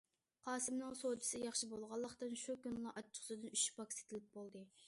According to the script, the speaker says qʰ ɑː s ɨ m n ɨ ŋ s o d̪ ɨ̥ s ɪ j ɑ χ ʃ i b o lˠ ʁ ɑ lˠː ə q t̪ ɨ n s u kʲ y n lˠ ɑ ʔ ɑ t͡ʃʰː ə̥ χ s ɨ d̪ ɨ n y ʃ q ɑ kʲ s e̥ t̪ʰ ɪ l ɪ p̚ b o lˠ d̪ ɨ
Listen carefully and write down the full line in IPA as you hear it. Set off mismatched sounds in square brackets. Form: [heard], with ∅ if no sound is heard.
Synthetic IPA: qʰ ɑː s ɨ m n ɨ ŋ s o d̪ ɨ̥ s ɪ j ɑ χ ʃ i b o lˠ ʁ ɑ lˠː ə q t̪ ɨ n [ʃ] u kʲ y n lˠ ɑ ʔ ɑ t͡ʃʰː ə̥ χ s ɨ d̪ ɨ n y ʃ [p] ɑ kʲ s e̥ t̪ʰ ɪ l ɪ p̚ b o lˠ d̪ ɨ